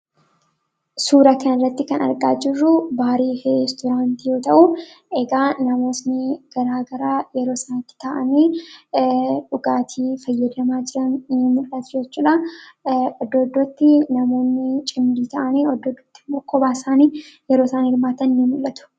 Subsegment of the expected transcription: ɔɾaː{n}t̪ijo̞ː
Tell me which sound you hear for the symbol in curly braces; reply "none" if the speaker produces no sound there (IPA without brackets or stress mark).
n